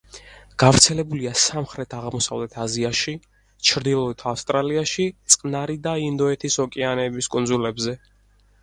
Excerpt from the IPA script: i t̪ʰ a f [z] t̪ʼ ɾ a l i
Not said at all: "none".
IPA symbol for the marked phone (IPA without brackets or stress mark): s